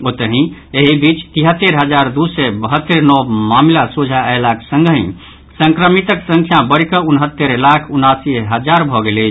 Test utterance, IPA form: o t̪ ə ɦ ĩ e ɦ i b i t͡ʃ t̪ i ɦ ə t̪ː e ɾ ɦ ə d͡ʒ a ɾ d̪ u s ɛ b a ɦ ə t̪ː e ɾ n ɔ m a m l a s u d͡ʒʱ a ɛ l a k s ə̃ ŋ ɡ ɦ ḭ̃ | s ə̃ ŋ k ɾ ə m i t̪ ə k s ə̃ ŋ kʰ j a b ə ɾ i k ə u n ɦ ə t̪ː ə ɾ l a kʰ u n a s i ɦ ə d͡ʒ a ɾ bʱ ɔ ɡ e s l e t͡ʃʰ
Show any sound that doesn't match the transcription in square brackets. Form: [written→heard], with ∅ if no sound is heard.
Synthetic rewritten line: o t̪ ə ɦ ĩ e ɦ i b i t͡ʃ t̪ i ɦ ə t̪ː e ɾ ɦ ə d͡ʒ a ɾ d̪ u s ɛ b [a→ə] ɦ ə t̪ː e ɾ n ɔ m a m l a s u d͡ʒʱ a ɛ l a k s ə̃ ŋ ɡ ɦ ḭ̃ | s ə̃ ŋ k ɾ ə m i t̪ ə k s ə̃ ŋ kʰ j a b ə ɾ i k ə u n ɦ ə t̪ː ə ɾ l a kʰ u n a s i ɦ ə d͡ʒ a ɾ bʱ ɔ ɡ e [s→∅] l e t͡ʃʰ